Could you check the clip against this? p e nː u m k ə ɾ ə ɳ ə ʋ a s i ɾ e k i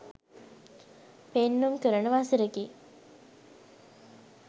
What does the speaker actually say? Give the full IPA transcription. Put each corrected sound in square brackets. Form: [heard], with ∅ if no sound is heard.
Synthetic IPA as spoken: p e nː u m k ə ɾ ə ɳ ə ʋ a s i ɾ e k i